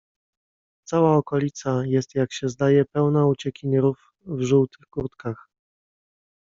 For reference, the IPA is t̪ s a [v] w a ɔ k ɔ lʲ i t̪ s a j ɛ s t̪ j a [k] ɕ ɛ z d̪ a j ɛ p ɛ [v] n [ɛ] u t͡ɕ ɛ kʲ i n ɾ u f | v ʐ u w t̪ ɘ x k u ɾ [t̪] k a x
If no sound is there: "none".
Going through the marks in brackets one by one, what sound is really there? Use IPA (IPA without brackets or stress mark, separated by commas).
none, k, w, a, t̪